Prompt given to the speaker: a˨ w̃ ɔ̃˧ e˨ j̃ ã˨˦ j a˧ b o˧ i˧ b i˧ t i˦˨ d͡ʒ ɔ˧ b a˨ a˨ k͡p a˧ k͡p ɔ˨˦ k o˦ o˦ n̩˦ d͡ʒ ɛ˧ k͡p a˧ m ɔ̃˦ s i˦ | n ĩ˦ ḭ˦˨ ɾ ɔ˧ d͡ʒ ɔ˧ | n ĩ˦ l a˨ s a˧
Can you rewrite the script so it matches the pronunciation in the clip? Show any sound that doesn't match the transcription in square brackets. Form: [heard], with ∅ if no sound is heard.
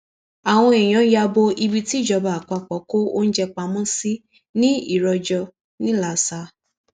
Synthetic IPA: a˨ w̃ ɔ̃˧ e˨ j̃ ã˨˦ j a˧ b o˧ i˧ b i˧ t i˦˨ d͡ʒ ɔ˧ b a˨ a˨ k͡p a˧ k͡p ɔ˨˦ k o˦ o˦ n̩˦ d͡ʒ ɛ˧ k͡p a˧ m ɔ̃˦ s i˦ | n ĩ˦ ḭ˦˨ ɾ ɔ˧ d͡ʒ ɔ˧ | n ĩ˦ l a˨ s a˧